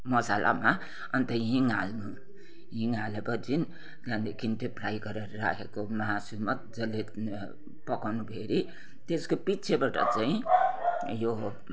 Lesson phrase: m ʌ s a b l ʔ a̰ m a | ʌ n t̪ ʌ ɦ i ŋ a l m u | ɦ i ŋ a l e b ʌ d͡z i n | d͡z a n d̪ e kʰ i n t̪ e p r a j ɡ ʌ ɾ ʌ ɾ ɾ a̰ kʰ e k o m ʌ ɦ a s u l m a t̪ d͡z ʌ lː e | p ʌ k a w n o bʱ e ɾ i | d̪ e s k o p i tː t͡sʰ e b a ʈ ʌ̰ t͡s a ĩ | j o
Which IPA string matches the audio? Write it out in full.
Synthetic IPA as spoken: m ʌ s a l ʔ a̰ m a | ʌ n t̪ ʌ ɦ i ŋ a l n u | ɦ i ŋ a l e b ʌ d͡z i n | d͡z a n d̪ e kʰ i n t̪ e p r a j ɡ ʌ ɾ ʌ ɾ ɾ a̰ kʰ e k o m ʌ ɦ a s u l m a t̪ d͡z ʌ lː e | p ʌ k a w n u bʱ e ɾ i | t̪ e s k o p i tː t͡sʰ e b a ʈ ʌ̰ t͡s a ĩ | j o